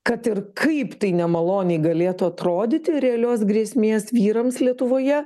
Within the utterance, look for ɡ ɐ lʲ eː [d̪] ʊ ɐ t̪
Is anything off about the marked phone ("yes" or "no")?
yes